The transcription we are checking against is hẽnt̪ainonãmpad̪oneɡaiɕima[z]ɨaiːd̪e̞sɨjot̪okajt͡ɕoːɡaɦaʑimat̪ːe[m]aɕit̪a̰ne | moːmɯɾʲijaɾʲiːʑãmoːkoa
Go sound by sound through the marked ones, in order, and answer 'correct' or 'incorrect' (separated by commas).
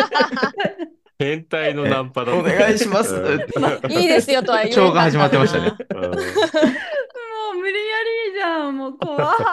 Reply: incorrect, correct